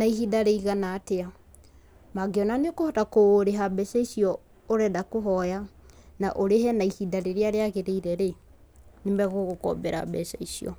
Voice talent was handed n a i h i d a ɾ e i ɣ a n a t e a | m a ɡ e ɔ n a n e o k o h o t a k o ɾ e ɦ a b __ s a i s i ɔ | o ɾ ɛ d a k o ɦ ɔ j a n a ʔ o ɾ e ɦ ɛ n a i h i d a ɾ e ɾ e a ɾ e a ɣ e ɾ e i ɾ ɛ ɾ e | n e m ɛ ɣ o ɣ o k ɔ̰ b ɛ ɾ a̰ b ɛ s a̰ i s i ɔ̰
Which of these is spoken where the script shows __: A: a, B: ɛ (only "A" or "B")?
B